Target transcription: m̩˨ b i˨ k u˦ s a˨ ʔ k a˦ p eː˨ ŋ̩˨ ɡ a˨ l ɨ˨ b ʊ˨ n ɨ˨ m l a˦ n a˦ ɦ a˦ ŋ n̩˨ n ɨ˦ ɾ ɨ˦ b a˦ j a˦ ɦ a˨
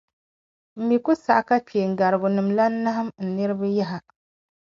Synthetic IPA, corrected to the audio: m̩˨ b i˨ k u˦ s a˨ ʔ k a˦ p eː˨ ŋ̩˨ ɡ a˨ ɾ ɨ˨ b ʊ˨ n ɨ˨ m l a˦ n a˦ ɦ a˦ m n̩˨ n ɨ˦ ɾ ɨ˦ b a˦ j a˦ ɦ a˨